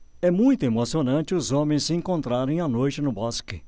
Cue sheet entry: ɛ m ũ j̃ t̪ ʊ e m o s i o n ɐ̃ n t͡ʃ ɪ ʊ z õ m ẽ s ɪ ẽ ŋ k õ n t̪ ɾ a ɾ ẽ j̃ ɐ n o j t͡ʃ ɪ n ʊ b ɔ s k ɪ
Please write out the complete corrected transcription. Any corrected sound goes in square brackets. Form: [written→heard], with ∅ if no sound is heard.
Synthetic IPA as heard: ɛ m ũ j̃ t̪ ʊ e m o s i o n ɐ̃ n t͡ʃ ɪ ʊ z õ m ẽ s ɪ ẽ ŋ k õ n t̪ ɾ a ɾ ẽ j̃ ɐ n o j t͡ʃ ɪ n ʊ b ɔ s k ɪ